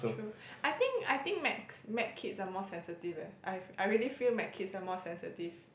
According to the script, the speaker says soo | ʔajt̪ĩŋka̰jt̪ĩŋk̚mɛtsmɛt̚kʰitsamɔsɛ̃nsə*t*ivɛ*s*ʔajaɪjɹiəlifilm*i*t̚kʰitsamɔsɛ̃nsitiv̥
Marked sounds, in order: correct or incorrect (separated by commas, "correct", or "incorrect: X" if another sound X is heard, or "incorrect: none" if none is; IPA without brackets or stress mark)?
correct, incorrect: none, incorrect: ɛ